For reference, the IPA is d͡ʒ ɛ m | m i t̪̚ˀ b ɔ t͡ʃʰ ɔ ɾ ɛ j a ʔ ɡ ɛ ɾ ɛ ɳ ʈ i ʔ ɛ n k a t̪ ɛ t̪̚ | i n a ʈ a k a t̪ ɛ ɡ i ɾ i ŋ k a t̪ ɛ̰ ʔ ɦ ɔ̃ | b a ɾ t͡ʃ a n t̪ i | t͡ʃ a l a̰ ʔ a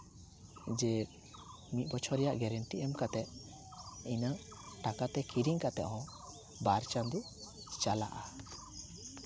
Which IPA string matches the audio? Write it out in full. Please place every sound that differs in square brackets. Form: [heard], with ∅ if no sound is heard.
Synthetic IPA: d͡ʒ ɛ [∅] | m i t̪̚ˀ b ɔ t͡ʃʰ ɔ ɾ ɛ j a ʔ ɡ ɛ ɾ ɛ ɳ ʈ i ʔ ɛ [m] k a t̪ ɛ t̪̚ | i n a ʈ a k a t̪ ɛ [k] i ɾ i ŋ k a t̪ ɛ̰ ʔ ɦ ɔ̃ | b a ɾ t͡ʃ a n [d̪] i | t͡ʃ a l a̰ ʔ a